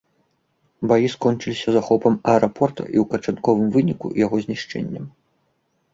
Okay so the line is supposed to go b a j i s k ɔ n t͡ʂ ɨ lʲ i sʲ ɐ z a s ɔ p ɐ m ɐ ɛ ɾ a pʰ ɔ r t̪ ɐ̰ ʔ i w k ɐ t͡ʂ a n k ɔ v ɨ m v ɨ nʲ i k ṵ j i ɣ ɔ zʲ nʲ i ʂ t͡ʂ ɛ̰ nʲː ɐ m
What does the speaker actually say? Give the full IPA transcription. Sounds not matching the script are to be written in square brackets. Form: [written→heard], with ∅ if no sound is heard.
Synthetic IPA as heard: b a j i s k ɔ n t͡ʂ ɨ lʲ i sʲ ɐ z a [s→x] ɔ p ɐ m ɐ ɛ ɾ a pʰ ɔ r t̪ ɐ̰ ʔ i w k ɐ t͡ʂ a n k ɔ v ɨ m v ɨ nʲ i k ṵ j [i→a] ɣ ɔ zʲ nʲ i ʂ t͡ʂ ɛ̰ nʲː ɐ m